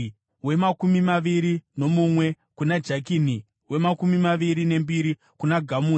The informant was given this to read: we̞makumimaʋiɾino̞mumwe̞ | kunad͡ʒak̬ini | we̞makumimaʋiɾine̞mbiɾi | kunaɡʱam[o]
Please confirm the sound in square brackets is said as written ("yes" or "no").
no